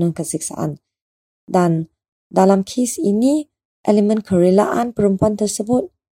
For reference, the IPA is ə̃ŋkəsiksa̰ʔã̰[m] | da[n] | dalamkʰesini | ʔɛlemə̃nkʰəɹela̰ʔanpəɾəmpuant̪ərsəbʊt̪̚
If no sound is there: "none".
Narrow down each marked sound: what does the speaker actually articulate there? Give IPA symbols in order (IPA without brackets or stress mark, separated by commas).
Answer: n, n